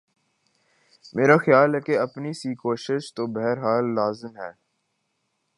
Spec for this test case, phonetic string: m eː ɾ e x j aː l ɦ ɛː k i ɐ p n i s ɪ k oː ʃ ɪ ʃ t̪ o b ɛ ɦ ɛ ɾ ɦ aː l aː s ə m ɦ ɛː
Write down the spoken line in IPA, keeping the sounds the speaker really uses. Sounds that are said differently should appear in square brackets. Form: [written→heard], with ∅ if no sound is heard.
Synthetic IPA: m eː ɾ [e→a] x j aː l ɦ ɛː k [i→e] ɐ p n i s [ɪ→i] k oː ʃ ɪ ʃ t̪ o b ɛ ɦ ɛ ɾ ɦ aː [l→lː] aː [s→z] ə m ɦ ɛː